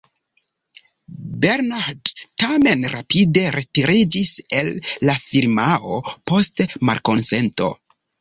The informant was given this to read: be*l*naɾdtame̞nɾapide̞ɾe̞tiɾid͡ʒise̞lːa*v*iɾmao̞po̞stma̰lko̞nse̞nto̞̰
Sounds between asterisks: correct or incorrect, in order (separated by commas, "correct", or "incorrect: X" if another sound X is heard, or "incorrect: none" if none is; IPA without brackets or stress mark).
incorrect: ɾ, incorrect: f